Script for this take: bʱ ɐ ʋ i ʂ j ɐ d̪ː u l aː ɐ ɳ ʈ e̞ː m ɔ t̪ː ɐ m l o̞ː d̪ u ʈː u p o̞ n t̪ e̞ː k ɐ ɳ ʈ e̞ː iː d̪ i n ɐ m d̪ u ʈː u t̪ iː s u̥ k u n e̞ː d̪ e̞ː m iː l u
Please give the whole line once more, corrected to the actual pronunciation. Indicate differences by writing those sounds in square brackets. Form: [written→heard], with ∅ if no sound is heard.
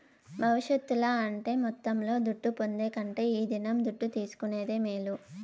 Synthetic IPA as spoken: bʱ ɐ ʋ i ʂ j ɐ [d̪ː→t̪ː] u l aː ɐ ɳ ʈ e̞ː m ɔ t̪ː ɐ m l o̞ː d̪ u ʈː u p o̞ n [t̪→d̪] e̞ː k ɐ ɳ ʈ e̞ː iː d̪ i n ɐ m d̪ u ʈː u t̪ iː s u̥ k u n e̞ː d̪ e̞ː m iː l u